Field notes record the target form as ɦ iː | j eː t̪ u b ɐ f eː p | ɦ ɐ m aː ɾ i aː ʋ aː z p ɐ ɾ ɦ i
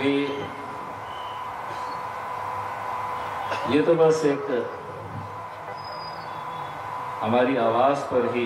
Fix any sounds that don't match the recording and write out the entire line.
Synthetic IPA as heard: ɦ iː | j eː t̪ o b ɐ s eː k | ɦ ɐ m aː ɾ i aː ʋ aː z p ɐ ɾ ɦ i